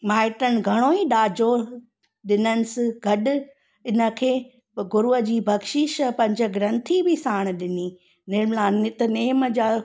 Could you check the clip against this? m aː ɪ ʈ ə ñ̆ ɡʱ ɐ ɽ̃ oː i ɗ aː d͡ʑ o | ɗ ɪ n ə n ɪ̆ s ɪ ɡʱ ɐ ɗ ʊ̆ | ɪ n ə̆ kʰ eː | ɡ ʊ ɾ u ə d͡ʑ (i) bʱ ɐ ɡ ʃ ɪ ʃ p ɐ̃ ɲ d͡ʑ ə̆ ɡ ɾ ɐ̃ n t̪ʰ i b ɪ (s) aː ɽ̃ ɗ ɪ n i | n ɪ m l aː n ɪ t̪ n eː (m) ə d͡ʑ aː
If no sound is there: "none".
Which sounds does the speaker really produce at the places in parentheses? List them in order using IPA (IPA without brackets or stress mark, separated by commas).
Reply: iː, s, m